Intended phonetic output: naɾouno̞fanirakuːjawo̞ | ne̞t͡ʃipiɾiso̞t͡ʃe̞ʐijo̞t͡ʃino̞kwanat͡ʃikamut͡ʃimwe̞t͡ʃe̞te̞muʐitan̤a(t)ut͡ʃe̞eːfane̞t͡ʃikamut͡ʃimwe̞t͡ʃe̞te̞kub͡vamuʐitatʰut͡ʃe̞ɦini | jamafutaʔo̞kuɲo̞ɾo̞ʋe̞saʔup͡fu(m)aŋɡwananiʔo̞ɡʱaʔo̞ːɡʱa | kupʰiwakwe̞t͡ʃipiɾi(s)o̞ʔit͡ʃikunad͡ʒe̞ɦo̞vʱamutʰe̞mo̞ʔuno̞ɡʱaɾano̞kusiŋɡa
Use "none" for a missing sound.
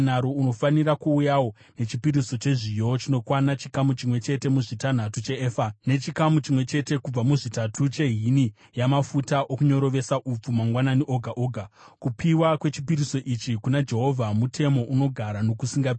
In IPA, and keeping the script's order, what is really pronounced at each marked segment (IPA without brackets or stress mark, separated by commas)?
t, m, s